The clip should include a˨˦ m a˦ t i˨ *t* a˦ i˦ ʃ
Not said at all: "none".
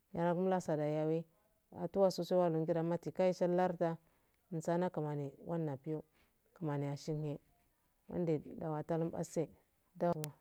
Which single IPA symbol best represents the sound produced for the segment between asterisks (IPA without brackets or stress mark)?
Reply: k